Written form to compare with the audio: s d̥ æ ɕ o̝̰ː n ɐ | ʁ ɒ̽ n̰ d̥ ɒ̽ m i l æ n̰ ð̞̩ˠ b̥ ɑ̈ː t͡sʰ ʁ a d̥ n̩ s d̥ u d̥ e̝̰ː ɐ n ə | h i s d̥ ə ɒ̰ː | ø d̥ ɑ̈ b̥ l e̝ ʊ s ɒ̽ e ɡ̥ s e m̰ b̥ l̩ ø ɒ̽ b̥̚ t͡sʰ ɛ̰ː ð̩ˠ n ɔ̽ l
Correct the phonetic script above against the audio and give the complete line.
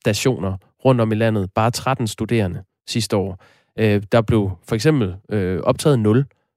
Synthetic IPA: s d̥ æ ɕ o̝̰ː n ɐ | ʁ ɔ̽ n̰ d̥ ɒ̽ m i l æ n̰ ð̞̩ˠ b̥ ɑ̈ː t͡sʰ ʁ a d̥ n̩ s d̥ u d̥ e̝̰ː ɐ n ə | s i s d̥ ə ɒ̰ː | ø d̥ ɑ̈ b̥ l e̝ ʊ f ɒ̽ e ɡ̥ s e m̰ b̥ l̩ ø ɒ̽ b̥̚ t͡sʰ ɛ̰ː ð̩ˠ n ɔ̽ l